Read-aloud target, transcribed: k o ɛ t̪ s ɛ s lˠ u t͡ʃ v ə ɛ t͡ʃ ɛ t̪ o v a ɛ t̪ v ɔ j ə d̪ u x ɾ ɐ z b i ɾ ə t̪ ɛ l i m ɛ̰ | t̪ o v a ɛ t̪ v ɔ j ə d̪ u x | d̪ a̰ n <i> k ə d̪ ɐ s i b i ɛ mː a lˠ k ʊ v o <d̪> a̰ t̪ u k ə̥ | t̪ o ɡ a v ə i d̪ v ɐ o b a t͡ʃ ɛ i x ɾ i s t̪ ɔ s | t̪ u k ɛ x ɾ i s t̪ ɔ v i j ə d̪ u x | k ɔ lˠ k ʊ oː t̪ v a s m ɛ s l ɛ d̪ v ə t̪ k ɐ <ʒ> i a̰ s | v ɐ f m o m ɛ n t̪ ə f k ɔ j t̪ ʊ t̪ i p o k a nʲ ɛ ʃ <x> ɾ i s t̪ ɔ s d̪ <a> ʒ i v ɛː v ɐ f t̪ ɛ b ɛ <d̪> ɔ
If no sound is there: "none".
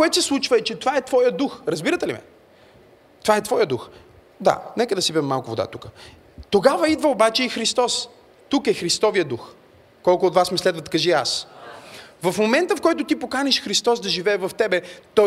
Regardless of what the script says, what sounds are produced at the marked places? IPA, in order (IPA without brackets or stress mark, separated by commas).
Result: ɛ, d̪, ʒ, x, ɐ, t̪